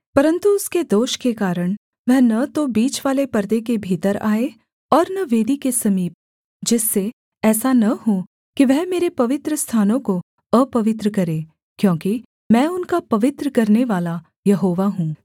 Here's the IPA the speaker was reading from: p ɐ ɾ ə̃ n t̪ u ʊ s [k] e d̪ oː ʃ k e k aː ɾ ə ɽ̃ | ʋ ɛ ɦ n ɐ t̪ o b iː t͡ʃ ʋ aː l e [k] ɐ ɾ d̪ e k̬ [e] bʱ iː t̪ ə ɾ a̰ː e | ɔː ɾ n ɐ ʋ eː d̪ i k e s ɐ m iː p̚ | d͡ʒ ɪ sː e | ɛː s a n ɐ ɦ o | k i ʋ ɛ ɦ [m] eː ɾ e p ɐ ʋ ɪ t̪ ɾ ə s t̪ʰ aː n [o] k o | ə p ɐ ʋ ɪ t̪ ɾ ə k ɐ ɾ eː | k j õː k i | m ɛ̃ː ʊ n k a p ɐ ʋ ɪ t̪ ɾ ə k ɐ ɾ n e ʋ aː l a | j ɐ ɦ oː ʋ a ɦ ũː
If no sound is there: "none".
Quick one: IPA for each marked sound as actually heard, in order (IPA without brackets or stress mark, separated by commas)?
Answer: k, p, e, m, õ